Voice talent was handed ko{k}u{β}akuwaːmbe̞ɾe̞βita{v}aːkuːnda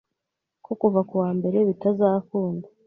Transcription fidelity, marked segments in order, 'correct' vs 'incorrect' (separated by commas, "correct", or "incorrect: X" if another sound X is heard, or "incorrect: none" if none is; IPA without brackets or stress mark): correct, incorrect: v, incorrect: z